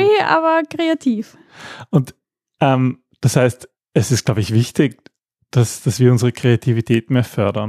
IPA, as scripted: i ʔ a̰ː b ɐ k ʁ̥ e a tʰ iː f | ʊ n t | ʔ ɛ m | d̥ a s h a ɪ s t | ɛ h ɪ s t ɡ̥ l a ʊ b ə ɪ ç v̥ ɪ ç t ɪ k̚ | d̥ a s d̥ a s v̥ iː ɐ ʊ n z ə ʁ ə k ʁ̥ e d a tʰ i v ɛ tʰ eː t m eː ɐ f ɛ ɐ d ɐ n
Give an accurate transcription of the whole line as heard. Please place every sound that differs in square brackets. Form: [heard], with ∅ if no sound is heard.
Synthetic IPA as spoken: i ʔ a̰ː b ɐ k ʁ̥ e a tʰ iː f | ʊ n t | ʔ ɛ m | d̥ a s h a ɪ s t | ɛ [s] ɪ s t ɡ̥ l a ʊ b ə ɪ ç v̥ ɪ ç t ɪ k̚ | d̥ a s d̥ a s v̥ iː ɐ ʊ n z ə ʁ ə k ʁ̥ e [∅] a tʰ i v [i] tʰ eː t m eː ɐ f [œ] ɐ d ɐ n